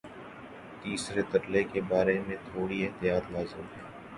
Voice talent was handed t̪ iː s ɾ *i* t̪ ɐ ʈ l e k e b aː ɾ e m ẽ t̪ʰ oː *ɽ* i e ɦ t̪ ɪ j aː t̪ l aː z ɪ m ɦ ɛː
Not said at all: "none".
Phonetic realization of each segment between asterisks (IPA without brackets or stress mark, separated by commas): e, ɽ